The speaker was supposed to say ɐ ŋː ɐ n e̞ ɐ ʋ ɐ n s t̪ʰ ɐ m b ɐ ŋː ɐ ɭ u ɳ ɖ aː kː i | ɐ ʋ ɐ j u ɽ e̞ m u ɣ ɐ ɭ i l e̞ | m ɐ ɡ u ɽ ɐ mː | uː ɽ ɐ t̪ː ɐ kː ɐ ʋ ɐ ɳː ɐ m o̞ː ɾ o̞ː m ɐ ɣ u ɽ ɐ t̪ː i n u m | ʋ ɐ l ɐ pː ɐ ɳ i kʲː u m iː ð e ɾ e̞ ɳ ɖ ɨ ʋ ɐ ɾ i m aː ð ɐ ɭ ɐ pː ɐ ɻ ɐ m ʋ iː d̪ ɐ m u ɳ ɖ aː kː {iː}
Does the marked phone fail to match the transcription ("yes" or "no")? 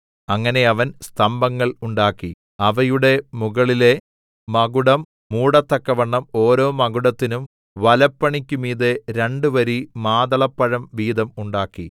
yes